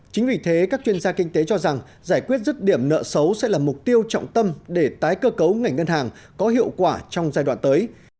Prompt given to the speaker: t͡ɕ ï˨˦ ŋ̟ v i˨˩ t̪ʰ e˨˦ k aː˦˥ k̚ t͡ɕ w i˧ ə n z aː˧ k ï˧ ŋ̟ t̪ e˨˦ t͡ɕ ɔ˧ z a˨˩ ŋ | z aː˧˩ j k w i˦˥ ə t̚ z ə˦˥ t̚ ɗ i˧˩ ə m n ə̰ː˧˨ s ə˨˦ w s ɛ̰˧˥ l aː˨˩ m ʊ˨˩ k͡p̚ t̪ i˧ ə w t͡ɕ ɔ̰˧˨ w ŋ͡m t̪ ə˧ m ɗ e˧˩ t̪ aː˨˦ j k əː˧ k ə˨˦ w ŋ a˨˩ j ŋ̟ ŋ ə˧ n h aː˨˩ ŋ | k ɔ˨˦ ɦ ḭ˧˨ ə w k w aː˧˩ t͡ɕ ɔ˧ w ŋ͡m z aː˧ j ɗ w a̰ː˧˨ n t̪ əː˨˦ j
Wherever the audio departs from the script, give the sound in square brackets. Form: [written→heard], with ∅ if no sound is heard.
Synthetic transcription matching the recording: t͡ɕ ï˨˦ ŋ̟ v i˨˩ t̪ʰ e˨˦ k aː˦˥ k̚ t͡ɕ w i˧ ə n z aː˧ k ï˧ ŋ̟ t̪ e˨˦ t͡ɕ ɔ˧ z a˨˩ ŋ | z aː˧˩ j k w i˦˥ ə t̚ z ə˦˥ t̚ ɗ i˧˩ ə m n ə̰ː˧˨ s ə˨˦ w s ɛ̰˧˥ l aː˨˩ m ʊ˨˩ k͡p̚ t̪ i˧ ə w t͡ɕ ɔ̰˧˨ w ŋ͡m t̪ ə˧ m ɗ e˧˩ t̪ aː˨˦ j k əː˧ k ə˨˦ w ŋ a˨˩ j ŋ̟ ŋ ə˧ n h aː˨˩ ŋ | k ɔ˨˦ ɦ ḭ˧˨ ə w k w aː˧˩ t͡ɕ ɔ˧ w ŋ͡m z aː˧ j ɗ w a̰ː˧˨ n t̪ əː˨˦ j

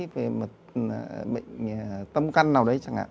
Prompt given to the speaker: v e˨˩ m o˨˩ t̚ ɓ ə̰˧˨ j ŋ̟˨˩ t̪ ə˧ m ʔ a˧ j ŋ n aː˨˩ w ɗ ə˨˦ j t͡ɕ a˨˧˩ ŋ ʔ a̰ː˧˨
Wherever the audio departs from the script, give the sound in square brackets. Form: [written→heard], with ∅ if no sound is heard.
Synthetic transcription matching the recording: v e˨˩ m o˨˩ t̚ ɓ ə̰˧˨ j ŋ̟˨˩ t̪ ə˧ m [ʔ→k] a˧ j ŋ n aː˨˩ w ɗ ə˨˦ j t͡ɕ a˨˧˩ ŋ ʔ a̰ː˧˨

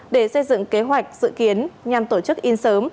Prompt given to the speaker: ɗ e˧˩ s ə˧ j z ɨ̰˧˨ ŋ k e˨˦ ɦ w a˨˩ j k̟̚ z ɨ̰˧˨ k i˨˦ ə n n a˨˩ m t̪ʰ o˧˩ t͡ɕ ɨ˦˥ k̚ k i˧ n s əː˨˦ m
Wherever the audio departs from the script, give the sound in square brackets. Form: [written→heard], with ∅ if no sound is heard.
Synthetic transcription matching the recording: ɗ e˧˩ s ə˧ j z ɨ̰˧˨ ŋ k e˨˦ ɦ w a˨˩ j k̟̚ z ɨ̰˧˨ k i˨˦ ə n [n→ɲ] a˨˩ m [t̪ʰ→t̪] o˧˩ t͡ɕ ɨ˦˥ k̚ [k→ʔ] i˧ n s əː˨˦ m

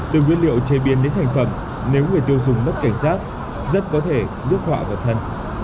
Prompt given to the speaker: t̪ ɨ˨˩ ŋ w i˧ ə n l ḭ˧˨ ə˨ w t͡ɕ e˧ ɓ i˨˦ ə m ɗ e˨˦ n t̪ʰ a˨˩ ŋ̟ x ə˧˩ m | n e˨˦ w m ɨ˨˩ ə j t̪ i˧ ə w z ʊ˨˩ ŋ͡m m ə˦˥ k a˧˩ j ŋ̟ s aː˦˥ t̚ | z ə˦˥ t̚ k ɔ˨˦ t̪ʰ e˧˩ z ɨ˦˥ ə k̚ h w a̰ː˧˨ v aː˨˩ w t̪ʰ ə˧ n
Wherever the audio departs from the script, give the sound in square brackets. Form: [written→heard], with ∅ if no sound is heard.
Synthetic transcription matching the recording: t̪ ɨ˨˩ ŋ w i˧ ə n l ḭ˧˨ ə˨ w t͡ɕ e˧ ɓ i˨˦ ə [m→n] ɗ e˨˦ n t̪ʰ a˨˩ ŋ̟ [x→f] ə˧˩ m | n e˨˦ w [m→ŋ] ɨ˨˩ ə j t̪ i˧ ə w z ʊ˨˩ ŋ͡m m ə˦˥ k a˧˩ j ŋ̟ s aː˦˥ t̚ | z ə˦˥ t̚ k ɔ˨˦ t̪ʰ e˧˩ z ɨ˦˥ ə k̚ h w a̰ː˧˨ v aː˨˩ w t̪ʰ ə˧ n

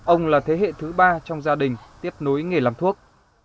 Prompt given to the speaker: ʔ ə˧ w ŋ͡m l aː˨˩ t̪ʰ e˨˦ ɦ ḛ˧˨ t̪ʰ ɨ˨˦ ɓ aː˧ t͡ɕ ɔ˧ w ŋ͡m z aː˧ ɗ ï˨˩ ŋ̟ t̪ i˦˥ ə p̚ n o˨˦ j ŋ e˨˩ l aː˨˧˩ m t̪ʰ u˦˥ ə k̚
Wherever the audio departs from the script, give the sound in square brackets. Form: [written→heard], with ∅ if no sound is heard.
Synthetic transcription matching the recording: ʔ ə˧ w ŋ͡m l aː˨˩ t̪ʰ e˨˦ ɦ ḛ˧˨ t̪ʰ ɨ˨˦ ɓ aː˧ t͡ɕ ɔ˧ w ŋ͡m z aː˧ ɗ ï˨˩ ŋ̟ t̪ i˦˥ ə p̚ n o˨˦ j ŋ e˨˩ l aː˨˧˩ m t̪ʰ u˦˥ ə k̚

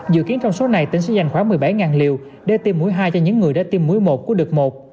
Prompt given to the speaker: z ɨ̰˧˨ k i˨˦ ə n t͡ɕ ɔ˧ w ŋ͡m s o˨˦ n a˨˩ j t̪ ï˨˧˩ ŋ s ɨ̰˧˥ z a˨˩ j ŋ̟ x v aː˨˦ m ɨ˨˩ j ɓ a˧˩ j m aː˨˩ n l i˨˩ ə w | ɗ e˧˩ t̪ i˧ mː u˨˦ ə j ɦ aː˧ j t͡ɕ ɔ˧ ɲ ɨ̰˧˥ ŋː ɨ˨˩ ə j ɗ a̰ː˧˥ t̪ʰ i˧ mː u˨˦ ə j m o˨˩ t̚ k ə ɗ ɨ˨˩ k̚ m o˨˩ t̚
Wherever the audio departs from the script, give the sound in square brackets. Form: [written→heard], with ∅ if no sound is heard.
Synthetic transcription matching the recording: z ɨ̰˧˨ k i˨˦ ə n t͡ɕ ɔ˧ w ŋ͡m s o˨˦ n a˨˩ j t̪ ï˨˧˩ ŋ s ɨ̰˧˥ z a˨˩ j ŋ̟ x [v→w] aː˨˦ m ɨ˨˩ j ɓ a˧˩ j [m→ŋ] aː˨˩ n l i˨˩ ə w | ɗ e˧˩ t̪ i˧ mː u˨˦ ə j ɦ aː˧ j t͡ɕ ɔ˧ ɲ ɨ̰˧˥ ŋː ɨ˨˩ ə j ɗ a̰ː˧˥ [t̪ʰ→t̪] i˧ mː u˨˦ ə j m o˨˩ t̚ k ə ɗ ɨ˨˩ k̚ m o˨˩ t̚

